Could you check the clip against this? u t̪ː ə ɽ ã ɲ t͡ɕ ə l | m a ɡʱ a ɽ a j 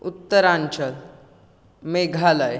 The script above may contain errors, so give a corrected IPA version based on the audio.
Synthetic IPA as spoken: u t̪ː ə ɾ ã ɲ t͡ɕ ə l | m e ɡʱ a l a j